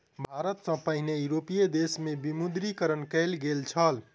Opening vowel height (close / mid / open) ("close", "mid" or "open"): open